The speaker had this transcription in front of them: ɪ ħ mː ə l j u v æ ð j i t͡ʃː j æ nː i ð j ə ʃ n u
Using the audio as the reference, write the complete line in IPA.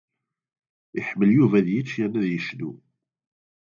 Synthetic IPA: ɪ ħ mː ə l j u v æ ð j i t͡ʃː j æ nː æ ð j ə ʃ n u